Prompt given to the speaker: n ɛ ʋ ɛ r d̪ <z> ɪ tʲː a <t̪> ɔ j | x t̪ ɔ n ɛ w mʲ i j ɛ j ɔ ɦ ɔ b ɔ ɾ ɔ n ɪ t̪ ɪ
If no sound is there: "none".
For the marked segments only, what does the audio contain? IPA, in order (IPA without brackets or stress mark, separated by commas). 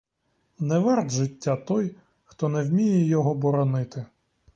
ʒ, t̪